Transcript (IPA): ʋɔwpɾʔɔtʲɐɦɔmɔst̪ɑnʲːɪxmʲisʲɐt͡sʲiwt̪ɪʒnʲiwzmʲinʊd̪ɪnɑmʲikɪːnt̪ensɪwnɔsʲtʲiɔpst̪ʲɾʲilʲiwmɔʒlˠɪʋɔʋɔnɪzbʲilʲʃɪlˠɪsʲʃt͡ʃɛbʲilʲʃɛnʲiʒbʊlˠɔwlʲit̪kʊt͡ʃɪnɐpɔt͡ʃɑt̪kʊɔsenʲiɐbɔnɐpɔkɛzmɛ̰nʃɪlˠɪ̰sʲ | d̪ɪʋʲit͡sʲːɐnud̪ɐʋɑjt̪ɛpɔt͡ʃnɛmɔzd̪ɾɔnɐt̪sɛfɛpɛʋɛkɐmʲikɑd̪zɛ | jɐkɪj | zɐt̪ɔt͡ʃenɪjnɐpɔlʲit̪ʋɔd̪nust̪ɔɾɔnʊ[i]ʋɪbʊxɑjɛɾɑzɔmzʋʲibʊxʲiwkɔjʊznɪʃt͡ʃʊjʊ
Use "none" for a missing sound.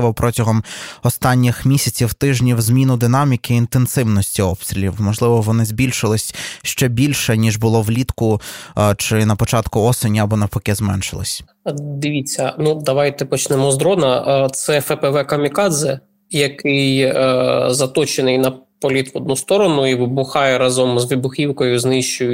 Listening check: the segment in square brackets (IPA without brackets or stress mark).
i